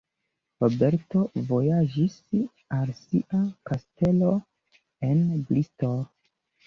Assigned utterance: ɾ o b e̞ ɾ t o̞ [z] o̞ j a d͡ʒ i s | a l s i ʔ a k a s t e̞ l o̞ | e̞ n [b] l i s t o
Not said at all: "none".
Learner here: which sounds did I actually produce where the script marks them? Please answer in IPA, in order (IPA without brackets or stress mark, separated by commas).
v, b